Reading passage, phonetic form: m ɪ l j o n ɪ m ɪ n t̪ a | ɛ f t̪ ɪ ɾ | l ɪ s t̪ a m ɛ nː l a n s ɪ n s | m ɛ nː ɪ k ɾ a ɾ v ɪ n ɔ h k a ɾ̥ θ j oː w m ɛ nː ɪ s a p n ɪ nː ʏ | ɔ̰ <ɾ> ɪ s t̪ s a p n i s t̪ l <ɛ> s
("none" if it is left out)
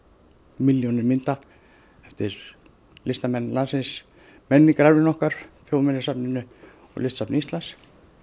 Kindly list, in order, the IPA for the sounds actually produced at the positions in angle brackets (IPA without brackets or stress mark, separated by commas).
l, a